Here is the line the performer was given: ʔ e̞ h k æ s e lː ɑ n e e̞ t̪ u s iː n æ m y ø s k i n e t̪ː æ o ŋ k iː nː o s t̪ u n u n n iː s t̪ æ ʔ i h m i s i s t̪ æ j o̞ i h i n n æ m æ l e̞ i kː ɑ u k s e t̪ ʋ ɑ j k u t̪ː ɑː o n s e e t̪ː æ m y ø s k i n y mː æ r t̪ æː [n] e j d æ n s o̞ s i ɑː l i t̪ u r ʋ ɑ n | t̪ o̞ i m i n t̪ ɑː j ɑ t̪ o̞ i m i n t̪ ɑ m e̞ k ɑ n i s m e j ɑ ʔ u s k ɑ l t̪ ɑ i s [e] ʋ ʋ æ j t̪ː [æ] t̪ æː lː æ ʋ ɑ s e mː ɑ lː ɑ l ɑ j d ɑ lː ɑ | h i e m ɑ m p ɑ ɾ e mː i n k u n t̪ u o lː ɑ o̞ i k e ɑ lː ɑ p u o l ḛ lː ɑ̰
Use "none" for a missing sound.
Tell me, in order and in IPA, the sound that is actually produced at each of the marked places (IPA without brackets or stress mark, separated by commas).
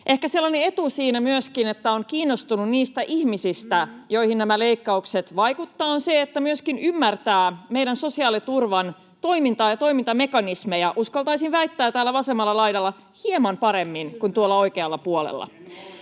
m, i, æː